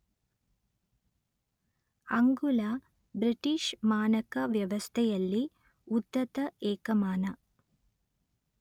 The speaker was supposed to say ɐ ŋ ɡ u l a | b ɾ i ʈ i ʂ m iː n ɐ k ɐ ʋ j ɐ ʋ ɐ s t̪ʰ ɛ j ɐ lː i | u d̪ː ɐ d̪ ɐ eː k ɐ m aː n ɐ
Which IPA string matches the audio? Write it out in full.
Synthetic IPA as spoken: ɐ ŋ ɡ u l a | b ɾ i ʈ i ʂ m aː n ɐ k ɐ ʋ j ɐ ʋ ɐ s t̪ʰ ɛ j ɐ lː i | u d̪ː ɐ t̪ ɐ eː k ɐ m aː n ɐ